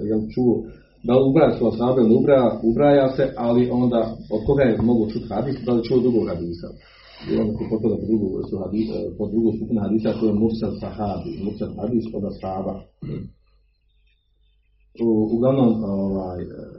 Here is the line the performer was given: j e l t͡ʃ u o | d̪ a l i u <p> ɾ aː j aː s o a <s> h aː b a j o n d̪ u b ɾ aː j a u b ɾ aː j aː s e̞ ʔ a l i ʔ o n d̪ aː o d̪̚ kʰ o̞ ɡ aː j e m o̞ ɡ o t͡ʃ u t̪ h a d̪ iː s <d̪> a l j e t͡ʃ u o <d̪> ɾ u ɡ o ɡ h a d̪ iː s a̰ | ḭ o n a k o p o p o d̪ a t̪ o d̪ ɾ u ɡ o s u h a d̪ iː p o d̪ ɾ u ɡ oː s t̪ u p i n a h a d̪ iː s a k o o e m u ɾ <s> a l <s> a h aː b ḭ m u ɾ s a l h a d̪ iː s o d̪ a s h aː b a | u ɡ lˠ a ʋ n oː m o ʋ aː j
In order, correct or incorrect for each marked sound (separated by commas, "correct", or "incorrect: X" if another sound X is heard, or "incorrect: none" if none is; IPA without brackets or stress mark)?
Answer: incorrect: b, correct, correct, correct, correct, correct